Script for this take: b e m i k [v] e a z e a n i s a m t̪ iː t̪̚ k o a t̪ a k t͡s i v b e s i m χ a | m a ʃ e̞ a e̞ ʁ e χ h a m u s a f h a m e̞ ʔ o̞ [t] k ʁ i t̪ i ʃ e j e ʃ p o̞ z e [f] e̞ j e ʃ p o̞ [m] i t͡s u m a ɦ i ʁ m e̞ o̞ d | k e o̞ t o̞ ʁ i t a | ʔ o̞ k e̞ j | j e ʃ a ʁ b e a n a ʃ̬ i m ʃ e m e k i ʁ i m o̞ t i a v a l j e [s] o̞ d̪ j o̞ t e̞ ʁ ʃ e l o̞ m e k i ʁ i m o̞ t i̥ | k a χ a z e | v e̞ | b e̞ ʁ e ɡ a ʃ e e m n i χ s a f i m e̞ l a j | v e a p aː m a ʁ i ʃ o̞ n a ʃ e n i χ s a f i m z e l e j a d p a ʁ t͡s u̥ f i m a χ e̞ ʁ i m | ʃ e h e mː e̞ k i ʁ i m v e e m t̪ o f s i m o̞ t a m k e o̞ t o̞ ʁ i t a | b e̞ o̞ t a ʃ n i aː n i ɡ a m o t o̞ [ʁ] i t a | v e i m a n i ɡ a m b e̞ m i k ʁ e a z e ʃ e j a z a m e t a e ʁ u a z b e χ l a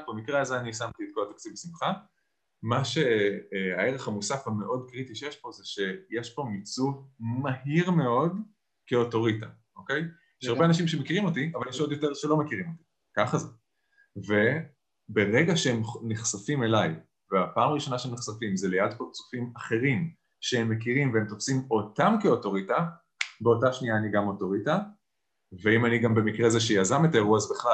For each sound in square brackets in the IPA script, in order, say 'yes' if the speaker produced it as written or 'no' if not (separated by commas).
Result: no, no, no, yes, no, yes